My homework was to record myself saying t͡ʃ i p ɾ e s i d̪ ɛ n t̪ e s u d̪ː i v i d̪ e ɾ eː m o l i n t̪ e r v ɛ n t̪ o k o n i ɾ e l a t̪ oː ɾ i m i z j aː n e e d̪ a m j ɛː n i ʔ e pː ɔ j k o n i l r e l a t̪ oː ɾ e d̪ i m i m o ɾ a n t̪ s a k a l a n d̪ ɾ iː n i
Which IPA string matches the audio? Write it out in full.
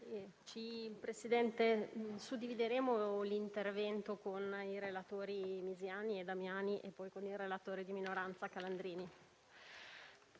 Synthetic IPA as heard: t͡ʃ i p ɾ e s i d̪ ɛ n t̪ e s u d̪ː i v i d̪ e ɾ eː m o l i n t̪ e r v ɛ n t̪ o k o n i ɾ e l a t̪ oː ɾ i m i z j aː n i e d̪ a m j aː n i ʔ e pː ɔ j k o n i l r e l a t̪ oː ɾ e d̪ i m i n o ɾ a n t̪ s a k a l a n d̪ ɾ iː n i